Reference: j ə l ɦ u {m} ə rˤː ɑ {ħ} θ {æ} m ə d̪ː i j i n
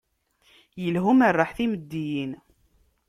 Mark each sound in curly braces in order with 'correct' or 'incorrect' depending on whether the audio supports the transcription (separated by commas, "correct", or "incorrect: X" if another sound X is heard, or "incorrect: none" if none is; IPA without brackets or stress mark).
correct, correct, incorrect: i